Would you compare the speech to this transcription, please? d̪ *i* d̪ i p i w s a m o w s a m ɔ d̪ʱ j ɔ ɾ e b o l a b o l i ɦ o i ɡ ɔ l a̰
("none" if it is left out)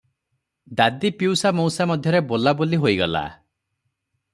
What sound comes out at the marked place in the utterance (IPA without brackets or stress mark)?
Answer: a